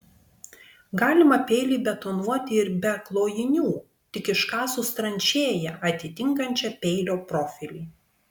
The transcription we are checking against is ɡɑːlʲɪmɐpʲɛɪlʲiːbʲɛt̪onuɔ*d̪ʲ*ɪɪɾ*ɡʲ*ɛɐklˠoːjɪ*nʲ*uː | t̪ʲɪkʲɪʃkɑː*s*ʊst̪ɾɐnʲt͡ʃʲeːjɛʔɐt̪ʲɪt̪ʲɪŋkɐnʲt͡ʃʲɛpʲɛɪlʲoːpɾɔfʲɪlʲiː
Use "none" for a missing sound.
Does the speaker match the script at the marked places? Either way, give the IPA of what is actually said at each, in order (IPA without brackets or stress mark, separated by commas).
t̪ʲ, bʲ, nʲ, s